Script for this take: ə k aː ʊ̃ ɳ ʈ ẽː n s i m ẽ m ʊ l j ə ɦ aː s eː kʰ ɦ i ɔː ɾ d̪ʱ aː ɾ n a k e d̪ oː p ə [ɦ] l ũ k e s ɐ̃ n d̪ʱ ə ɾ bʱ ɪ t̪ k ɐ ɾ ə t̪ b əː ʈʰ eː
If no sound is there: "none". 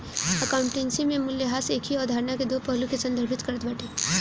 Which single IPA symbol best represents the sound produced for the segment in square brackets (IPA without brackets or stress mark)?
ɦ